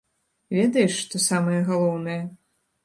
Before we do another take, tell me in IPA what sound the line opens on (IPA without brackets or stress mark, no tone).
vʲ